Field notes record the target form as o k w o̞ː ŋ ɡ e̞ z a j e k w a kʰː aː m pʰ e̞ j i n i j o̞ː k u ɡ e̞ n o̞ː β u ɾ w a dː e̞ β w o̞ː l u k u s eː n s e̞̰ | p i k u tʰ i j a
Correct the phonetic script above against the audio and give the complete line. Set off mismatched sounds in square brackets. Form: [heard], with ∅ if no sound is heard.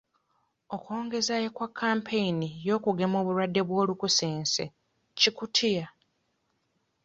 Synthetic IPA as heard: o k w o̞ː ŋ ɡ e̞ z a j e k w a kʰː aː m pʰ e̞ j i n i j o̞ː k u ɡ e̞ [m] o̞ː β u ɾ w a dː e̞ β w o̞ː l u k u s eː n s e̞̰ | [c] i k u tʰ i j a